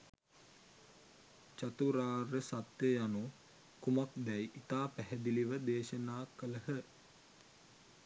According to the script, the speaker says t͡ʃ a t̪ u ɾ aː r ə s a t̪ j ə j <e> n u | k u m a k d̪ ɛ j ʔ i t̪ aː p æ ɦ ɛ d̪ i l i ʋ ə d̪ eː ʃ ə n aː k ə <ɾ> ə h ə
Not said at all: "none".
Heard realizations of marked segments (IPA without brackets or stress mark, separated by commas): a, l